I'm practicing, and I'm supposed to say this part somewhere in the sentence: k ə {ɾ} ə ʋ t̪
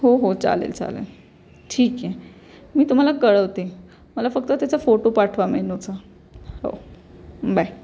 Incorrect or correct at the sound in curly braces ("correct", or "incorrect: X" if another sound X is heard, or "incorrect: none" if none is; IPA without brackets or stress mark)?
incorrect: ɭ